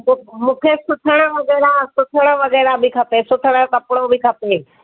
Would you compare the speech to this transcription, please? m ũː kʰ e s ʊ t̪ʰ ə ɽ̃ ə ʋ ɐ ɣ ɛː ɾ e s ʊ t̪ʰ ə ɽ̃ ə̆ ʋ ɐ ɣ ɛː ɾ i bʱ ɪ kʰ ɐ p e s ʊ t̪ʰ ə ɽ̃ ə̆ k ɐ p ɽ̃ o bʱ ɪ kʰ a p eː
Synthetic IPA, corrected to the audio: m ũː kʰ e s ʊ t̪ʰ ə ɽ̃ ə ʋ ɐ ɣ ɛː ɾ a s ʊ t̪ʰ ə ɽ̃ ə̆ ʋ ɐ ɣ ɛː ɾ a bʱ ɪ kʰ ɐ p e s ʊ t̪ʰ ə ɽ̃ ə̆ k ɐ p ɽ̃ o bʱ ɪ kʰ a p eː